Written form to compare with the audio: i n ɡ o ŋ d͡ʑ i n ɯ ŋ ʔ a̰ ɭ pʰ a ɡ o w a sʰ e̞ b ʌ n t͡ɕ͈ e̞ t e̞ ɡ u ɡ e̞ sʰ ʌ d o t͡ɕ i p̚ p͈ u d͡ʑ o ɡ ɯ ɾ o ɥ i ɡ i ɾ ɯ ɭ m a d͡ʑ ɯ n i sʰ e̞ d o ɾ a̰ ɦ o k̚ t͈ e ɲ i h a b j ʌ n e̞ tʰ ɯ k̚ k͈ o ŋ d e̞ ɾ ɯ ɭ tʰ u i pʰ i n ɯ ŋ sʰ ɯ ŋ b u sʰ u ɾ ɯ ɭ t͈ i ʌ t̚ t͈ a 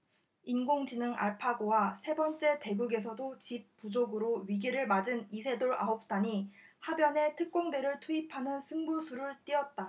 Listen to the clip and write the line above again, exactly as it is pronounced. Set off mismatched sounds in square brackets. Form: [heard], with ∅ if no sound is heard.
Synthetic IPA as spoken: i n ɡ o ŋ d͡ʑ i n ɯ ŋ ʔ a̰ ɭ pʰ a ɡ o w a sʰ e̞ b ʌ n t͡ɕ͈ e̞ t e̞ ɡ u ɡ e̞ sʰ ʌ d o t͡ɕ i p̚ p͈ u d͡ʑ o ɡ ɯ ɾ o ɥ i ɡ i ɾ ɯ ɭ m a d͡ʑ ɯ n i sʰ e̞ d o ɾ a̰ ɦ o [p̚] t͈ [a] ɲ i h a b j ʌ n e̞ tʰ ɯ k̚ k͈ o ŋ d e̞ ɾ ɯ ɭ tʰ u i pʰ [a] n ɯ [n] sʰ ɯ ŋ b u sʰ u ɾ ɯ ɭ t͈ i ʌ t̚ t͈ a